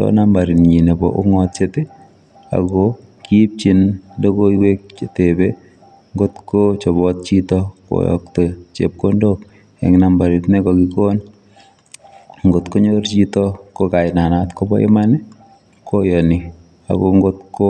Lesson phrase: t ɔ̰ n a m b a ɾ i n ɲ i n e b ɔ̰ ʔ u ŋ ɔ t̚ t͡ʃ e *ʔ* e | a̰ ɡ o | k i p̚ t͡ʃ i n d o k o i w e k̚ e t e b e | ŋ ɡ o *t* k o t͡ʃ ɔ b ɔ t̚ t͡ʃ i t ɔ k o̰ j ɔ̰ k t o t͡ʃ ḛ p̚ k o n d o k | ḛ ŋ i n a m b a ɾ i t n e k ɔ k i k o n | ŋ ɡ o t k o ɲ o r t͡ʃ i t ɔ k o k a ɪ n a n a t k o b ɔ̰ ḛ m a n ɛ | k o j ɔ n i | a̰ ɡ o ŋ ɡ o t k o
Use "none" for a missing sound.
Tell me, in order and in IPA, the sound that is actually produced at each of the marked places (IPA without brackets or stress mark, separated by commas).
t, t